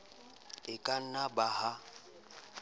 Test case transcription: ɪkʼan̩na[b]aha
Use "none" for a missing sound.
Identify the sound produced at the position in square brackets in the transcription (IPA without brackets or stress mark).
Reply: b